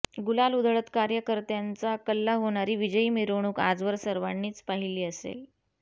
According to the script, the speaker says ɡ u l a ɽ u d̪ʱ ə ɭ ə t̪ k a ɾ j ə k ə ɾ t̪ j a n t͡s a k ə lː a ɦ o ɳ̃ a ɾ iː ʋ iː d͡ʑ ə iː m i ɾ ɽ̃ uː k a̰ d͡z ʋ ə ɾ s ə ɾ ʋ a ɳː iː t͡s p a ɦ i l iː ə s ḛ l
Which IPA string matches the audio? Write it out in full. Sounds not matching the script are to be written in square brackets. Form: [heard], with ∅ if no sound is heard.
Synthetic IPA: ɡ u l a [l] u d̪ʱ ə ɭ ə t̪ k a ɾ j ə k ə ɾ t̪ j a n t͡s a k ə lː a ɦ o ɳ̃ a ɾ iː ʋ [i] d͡ʑ ə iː m i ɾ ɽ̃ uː k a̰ d͡z ʋ ə ɾ s ə ɾ ʋ a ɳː iː t͡s p a ɦ i l iː ə s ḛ l